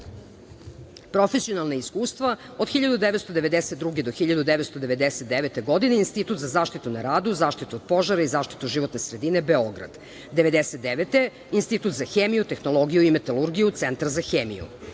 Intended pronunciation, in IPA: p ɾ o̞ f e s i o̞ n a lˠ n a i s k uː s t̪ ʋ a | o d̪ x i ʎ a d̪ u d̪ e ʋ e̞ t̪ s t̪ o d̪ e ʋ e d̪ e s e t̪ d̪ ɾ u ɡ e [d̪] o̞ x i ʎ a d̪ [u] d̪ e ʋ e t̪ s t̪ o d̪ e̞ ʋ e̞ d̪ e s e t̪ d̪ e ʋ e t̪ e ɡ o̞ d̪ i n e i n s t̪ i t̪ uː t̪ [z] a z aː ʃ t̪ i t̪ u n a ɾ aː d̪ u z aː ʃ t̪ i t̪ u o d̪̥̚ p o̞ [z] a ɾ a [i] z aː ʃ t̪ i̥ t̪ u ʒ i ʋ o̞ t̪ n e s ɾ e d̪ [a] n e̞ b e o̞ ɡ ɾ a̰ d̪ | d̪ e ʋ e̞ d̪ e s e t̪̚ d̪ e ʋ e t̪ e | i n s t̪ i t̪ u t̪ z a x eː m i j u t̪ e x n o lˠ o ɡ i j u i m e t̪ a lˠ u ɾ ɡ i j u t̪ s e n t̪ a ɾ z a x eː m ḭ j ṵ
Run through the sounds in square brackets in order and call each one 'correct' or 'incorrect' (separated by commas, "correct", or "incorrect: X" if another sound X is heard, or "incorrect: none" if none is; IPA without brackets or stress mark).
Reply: correct, correct, correct, incorrect: ʒ, correct, incorrect: i